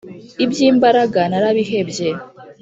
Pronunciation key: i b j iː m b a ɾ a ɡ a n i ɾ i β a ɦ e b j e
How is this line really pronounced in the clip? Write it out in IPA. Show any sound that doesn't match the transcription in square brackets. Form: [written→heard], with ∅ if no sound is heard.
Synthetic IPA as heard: i b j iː m b a ɾ a ɡ a n [i→a] ɾ [i→a] β [a→i] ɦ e b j e